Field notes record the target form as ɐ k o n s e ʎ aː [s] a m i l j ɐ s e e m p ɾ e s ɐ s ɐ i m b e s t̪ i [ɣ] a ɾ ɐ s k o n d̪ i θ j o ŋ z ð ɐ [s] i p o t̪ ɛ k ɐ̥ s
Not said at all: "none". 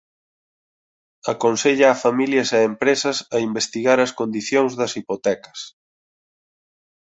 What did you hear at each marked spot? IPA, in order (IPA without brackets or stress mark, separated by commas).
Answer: f, ɣ, s